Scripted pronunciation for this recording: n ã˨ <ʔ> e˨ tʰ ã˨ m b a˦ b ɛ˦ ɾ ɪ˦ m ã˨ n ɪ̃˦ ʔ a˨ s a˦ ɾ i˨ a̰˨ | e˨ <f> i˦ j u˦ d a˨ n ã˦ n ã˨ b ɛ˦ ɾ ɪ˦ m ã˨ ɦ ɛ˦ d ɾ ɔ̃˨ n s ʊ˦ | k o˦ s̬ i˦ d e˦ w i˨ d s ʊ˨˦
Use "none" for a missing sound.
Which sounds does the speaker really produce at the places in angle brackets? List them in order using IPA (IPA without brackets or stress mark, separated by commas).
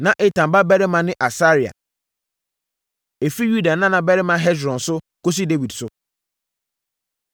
ʔ, f